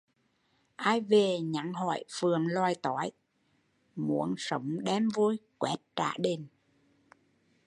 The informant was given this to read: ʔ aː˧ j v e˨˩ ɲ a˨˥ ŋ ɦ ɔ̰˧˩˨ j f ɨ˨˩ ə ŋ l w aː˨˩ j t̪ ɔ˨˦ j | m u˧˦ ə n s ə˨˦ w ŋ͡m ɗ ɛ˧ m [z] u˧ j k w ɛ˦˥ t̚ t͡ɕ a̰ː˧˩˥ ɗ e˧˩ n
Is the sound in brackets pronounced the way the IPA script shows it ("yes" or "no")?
no